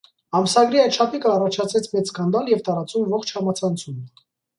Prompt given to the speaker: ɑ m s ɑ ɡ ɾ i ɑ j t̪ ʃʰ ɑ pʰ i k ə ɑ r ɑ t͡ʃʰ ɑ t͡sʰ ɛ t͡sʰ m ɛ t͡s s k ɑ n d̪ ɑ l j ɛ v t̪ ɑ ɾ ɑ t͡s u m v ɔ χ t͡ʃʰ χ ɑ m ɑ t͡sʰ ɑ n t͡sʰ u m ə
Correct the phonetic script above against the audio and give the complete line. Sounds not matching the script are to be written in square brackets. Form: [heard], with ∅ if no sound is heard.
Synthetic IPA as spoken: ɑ m s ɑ ɡ ɾ i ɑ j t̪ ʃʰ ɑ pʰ i k ə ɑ r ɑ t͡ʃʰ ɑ t͡sʰ ɛ t͡sʰ m ɛ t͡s s k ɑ n d̪ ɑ l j ɛ v t̪ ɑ ɾ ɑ t͡s u m v ɔ χ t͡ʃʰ [h] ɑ m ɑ t͡sʰ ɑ n t͡sʰ u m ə